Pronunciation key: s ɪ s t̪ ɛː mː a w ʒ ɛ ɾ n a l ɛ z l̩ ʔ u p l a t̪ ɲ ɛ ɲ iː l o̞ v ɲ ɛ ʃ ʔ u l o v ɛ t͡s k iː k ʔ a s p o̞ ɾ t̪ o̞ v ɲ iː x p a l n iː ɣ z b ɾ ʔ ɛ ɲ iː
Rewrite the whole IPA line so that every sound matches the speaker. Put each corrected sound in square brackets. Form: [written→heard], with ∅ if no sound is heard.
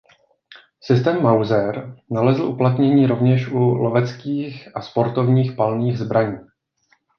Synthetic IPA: s ɪ s t̪ ɛː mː a w [ʒ→z] ɛ ɾ n a l ɛ z l̩ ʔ u p l a t̪ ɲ ɛ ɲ iː [l→ɾ] o̞ v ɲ ɛ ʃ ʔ u l o v ɛ t͡s k iː [k→x] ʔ a s p o̞ ɾ t̪ o̞ v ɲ iː x p a l n iː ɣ z b ɾ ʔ [ɛ→a] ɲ iː